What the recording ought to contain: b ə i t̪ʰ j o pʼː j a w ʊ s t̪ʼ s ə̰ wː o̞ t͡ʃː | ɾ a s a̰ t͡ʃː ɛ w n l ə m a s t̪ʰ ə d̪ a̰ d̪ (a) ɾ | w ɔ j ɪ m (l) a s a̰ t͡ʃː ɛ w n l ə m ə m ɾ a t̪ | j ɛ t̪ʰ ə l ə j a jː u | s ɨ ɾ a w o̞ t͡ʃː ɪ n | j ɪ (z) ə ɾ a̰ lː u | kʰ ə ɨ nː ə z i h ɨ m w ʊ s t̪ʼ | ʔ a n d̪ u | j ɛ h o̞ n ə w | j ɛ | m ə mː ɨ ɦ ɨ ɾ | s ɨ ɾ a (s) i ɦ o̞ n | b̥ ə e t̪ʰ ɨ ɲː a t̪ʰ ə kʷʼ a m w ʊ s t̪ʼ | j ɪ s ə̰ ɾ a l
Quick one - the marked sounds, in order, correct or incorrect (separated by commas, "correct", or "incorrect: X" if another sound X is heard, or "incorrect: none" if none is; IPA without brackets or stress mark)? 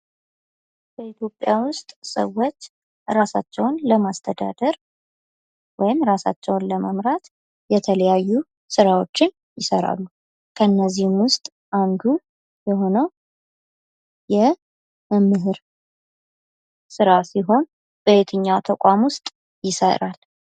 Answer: incorrect: ə, incorrect: ɾ, incorrect: s, correct